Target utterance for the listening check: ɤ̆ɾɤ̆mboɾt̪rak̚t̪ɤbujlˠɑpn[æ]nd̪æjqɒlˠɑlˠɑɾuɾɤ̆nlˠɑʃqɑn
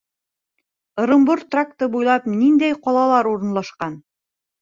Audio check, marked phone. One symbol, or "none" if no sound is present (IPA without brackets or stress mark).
i